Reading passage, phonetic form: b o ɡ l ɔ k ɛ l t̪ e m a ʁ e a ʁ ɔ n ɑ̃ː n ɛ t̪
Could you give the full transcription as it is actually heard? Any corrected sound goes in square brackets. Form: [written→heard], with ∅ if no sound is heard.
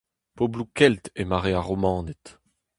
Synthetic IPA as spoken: [b→p] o [ɡ→b] l [ɔ→u] k ɛ l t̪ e m a ʁ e a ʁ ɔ [n→m] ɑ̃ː n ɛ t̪